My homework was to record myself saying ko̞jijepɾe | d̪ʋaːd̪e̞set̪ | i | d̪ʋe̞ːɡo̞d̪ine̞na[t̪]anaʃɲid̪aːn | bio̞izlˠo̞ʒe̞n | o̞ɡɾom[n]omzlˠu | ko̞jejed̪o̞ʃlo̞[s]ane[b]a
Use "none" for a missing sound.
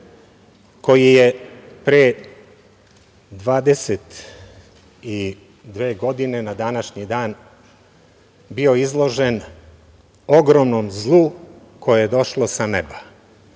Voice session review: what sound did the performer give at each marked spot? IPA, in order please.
d̪, n, s, b

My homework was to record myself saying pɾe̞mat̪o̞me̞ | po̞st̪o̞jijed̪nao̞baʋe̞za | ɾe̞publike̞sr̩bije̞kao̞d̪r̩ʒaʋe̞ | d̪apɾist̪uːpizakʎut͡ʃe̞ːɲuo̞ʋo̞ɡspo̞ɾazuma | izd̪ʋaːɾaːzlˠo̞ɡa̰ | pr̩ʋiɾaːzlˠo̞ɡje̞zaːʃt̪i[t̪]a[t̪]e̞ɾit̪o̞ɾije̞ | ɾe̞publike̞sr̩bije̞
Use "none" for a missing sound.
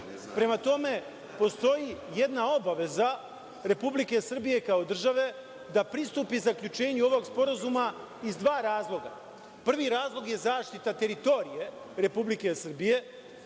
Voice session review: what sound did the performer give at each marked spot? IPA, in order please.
t̪, t̪

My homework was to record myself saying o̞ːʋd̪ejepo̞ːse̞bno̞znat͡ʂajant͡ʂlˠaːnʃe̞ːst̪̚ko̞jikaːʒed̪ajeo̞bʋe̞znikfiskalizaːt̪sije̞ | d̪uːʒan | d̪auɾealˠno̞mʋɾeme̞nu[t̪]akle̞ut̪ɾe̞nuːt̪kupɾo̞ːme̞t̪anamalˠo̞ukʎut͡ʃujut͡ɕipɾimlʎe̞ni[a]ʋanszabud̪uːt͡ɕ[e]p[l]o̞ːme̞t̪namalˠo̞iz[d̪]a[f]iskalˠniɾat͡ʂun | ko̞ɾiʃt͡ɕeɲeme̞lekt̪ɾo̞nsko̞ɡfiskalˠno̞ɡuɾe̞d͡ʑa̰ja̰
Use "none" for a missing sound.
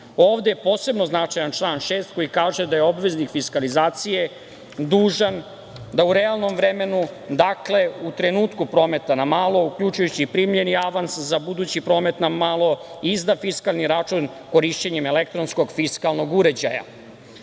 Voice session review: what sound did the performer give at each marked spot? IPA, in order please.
d̪, a, i, ɾ, d̪, f

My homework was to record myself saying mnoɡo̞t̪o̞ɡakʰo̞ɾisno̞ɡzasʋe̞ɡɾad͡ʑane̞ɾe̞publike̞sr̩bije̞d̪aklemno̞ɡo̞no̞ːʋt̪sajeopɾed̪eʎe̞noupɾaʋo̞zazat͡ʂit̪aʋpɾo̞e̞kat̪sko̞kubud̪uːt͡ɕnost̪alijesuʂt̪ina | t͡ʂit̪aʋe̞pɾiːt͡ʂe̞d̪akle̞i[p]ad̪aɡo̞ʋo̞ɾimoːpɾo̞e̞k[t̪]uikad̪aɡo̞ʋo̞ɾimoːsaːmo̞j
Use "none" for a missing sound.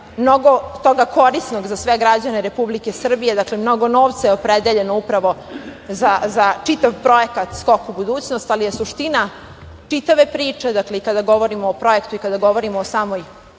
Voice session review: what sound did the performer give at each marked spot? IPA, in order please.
k, t̪

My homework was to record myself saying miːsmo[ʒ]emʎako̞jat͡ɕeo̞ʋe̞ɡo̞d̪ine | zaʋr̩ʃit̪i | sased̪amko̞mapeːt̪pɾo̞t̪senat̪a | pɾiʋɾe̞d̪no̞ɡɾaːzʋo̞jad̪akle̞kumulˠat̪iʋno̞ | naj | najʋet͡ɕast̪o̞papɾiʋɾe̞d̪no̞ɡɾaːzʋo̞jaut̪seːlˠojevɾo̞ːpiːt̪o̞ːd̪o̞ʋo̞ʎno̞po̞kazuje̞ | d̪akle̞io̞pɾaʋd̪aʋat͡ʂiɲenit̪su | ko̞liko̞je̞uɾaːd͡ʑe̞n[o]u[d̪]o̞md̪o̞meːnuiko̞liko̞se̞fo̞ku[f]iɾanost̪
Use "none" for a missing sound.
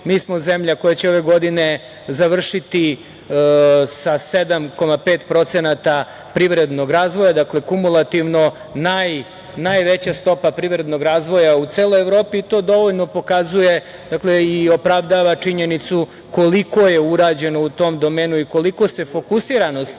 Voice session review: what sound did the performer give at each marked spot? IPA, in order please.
z, o, t̪, s

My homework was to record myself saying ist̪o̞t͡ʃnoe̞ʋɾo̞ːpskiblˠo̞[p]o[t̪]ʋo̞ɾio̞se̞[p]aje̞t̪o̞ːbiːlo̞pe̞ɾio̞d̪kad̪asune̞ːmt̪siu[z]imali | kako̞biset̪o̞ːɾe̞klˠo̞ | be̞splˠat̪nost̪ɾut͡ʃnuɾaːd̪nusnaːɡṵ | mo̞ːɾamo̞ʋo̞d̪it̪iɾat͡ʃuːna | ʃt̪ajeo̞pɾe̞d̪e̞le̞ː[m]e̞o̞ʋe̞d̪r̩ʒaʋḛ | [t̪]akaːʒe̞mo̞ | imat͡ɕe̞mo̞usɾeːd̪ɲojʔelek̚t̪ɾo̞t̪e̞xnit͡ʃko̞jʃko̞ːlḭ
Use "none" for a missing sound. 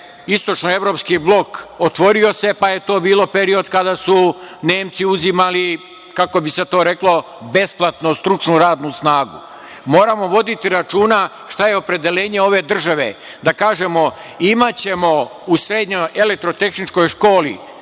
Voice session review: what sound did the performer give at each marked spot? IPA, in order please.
k, t̪, p, z, ɲ, d̪

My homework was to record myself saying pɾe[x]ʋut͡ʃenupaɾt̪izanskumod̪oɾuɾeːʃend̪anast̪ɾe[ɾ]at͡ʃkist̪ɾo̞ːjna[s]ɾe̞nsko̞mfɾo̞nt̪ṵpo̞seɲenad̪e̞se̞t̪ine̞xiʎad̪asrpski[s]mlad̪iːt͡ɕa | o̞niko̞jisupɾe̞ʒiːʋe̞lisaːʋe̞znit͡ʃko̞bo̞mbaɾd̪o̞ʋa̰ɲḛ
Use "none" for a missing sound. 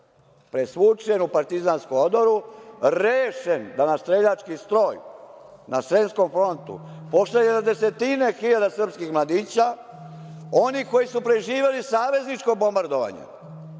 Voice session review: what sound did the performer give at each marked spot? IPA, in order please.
s, ʎ, s, x

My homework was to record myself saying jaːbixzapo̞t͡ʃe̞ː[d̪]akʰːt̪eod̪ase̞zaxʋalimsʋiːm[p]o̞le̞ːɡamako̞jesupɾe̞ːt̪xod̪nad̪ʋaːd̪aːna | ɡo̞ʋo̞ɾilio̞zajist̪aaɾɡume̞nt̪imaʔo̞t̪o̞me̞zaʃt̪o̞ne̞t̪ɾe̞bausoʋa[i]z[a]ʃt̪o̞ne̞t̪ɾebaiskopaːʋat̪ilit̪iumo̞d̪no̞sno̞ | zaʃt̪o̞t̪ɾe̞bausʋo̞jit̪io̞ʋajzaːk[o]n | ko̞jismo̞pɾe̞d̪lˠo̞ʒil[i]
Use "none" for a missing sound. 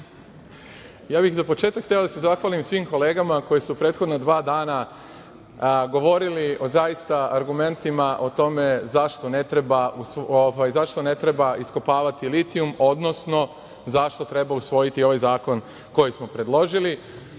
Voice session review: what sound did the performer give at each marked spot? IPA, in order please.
t̪, k, j, a, o, i

